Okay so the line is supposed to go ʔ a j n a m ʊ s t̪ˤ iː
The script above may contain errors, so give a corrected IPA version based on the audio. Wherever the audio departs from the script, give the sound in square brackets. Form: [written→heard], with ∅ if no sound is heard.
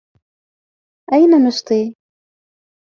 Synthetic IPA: ʔ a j n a [m→n] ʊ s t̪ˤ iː